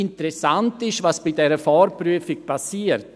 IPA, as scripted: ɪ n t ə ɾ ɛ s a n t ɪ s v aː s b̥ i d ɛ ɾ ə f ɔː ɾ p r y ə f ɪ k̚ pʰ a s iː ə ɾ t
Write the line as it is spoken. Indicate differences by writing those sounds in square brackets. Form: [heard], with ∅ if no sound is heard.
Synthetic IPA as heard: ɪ n t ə ɾ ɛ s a n t ɪ [ʃ] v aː s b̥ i d ɛ ɾ ə f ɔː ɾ p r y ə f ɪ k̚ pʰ a s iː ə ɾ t